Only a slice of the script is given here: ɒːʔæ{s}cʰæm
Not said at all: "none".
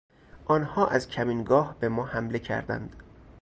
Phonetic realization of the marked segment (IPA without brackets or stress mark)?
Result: z